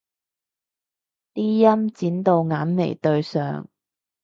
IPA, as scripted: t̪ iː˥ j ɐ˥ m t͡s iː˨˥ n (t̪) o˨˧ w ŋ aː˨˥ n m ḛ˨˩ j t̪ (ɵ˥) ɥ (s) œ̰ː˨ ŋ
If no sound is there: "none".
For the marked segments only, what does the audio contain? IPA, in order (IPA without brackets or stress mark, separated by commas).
t̪, ɵ˧, s